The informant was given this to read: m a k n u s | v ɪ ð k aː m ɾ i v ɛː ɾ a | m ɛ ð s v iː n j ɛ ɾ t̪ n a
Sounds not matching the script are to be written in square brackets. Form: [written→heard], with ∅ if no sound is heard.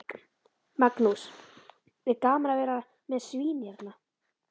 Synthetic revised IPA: m a k n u s | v ɪ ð k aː m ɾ [i→a] v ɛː ɾ a | m ɛ ð s v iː n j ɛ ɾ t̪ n a